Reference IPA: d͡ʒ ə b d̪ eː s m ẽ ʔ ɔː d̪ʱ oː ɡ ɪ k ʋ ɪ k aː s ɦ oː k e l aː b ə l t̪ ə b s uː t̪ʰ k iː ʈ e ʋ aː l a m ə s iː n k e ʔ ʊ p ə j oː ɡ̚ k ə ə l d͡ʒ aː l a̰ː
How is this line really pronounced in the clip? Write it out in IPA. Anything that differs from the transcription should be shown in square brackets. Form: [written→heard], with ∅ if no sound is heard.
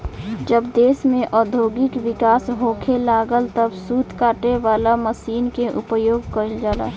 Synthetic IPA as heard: d͡ʒ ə b d̪ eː s m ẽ ʔ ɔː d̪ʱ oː ɡ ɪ k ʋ ɪ k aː s ɦ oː [k→kʰ] e l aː [b→ɡ] ə l t̪ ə b s uː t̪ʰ k [iː→aː] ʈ e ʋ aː l a m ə s iː n k e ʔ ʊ p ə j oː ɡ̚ k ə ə l d͡ʒ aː l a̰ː